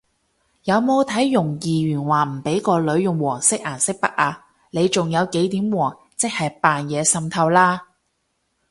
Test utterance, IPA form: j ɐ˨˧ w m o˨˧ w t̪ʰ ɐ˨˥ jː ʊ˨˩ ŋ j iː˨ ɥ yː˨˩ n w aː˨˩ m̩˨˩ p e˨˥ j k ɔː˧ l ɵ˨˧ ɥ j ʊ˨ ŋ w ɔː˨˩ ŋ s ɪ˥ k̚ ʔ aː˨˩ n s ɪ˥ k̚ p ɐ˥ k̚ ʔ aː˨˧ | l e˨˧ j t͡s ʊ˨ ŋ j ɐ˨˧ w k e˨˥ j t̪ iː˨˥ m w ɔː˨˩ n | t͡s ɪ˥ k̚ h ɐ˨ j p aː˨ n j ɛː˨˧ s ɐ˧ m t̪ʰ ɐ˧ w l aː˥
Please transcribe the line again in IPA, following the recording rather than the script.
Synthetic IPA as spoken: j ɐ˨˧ w m o˨˧ w t̪ʰ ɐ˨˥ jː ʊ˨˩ ŋ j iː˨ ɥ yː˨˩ n w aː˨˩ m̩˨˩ p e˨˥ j k ɔː˧ l ɵ˨˧ ɥ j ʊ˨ ŋ w ɔː˨˩ ŋ s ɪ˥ k̚ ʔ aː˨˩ n s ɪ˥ k̚ p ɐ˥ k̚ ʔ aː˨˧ | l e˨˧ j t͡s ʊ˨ ŋ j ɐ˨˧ w k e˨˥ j t̪ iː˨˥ m w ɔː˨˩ ŋ | t͡s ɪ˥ k̚ h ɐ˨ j p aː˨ n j ɛː˨˧ s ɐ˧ m t̪ʰ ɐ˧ w l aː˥